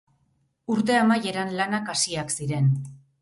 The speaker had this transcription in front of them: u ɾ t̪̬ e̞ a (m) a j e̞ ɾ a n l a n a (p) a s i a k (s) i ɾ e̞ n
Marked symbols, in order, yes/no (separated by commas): yes, no, yes